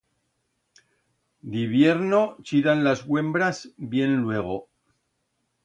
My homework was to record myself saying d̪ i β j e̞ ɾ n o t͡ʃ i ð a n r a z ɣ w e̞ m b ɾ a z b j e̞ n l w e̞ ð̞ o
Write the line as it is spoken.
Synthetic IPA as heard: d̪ i β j e̞ ɾ n o t͡ʃ i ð a n l a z ɣ w e̞ m b ɾ a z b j e̞ n l w e̞ ɣ̞ o